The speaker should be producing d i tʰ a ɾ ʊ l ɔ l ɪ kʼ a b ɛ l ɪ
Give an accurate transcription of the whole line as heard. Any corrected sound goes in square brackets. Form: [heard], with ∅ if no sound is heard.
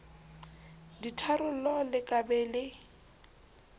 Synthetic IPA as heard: d i tʰ a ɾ ʊ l ɔ l ɪ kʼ a b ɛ l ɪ

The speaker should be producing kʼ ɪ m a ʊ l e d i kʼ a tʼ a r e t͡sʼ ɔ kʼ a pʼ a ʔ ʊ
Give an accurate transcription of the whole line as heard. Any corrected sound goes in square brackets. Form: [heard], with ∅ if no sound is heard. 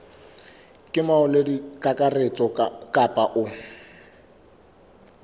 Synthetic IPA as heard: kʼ ɪ m a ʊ l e d i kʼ a [kʼ] a r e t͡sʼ ɔ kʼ a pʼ a ʔ ʊ

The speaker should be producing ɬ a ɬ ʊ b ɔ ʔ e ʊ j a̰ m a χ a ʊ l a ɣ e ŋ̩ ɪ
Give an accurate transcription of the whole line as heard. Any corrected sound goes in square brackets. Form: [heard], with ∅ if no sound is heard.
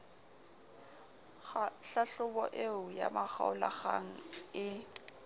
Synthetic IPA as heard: ɬ a ɬ ʊ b ɔ ʔ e ʊ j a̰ m a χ a ʊ l a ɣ [a] ŋ̩ ɪ

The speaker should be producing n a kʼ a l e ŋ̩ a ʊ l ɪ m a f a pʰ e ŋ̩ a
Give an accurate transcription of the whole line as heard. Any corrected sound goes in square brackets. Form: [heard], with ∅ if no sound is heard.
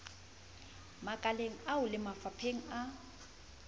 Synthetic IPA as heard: [m] a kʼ a l e ŋ̩ a ʊ l ɪ m a f a pʰ e ŋ̩ a

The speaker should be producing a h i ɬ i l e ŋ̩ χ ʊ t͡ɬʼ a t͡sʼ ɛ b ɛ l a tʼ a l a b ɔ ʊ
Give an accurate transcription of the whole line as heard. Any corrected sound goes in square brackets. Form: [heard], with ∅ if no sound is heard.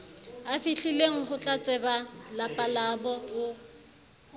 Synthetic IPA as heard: a [f] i ɬ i l e ŋ̩ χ ʊ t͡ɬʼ a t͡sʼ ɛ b [a] l a [pʼ] a l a b ɔ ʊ

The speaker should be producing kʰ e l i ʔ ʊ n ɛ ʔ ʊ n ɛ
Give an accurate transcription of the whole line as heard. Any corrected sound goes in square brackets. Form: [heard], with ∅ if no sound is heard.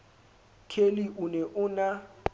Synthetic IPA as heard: kʰ e l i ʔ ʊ n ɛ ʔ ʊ n [a]

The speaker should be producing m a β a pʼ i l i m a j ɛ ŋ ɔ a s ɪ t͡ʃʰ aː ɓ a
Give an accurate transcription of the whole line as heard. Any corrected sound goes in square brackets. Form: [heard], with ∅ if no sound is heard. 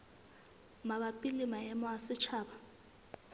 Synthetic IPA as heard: m a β a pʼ i l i m a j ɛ [m] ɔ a s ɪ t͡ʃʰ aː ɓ a

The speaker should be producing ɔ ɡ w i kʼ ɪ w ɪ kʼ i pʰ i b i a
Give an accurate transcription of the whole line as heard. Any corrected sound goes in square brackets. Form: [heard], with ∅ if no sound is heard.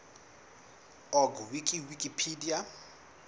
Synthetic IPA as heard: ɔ ɡ w i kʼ [i] w [i] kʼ i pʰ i [d] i a

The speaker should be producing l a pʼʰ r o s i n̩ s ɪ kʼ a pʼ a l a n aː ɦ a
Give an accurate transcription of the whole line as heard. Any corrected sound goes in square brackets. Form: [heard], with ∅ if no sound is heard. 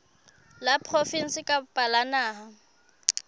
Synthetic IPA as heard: l a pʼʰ r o [f] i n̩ s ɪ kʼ a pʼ a l a n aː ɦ a

